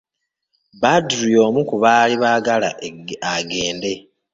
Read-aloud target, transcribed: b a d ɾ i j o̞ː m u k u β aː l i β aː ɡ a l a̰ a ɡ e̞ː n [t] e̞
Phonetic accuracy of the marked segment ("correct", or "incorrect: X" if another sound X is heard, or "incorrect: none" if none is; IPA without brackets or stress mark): incorrect: d